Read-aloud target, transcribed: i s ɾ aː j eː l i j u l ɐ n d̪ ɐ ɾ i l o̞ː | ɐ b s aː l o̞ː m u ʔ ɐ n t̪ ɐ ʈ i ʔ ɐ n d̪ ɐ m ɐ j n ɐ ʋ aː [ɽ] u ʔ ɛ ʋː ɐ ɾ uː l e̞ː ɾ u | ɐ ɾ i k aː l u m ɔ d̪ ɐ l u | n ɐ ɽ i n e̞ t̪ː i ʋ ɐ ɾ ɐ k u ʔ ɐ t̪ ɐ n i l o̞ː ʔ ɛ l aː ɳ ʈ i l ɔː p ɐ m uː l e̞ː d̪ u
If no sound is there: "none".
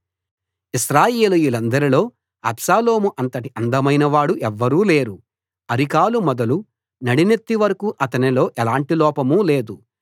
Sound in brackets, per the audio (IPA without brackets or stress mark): ɽ